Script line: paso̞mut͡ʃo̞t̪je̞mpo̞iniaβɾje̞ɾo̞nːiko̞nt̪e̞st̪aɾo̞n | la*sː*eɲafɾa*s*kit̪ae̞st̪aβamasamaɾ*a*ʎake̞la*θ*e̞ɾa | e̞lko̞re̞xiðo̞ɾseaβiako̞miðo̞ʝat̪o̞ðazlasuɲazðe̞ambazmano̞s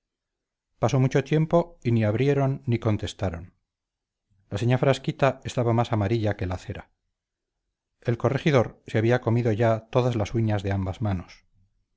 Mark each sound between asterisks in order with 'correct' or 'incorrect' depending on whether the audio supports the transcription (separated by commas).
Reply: incorrect, correct, incorrect, correct